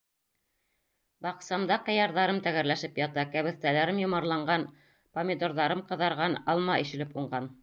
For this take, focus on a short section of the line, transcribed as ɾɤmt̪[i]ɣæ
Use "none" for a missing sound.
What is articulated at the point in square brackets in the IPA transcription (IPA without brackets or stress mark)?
æ